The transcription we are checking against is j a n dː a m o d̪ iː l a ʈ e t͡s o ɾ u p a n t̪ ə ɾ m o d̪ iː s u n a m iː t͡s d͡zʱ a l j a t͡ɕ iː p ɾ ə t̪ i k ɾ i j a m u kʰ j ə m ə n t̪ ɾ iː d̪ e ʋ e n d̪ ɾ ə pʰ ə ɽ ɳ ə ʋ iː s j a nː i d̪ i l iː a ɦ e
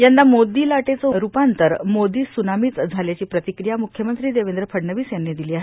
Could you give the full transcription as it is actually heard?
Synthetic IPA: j a n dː a m o d̪ iː l a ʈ e t͡s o ɾ u p a n t̪ ə ɾ m o d̪ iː s u n a m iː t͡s d͡zʱ a l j a t͡ɕ iː p ɾ ə t̪ i k ɾ i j a m u kʰ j ə m ə n t̪ ɾ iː d̪ e ʋ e n d̪ ɾ ə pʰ ə ɽ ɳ ə ʋ iː s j a nː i d̪ i l iː a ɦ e